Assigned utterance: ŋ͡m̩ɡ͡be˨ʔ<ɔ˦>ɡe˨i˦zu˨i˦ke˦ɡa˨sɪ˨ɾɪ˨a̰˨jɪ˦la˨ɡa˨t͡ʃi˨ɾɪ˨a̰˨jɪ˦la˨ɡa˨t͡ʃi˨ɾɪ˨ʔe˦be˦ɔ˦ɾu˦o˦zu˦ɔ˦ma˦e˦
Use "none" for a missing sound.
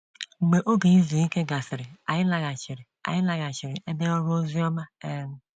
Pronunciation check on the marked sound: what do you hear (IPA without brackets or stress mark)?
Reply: o˦